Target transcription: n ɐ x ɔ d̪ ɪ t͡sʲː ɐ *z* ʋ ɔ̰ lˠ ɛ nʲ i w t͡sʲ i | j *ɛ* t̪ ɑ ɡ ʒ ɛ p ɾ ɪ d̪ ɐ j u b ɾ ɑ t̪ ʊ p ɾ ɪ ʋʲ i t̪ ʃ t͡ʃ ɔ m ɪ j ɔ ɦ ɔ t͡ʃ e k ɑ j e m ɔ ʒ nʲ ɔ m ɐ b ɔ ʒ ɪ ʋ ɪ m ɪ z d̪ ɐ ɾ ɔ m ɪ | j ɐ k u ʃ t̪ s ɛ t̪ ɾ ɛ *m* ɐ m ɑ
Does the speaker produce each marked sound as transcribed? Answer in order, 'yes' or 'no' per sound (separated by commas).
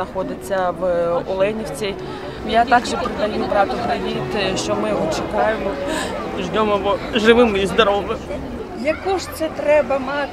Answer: no, no, no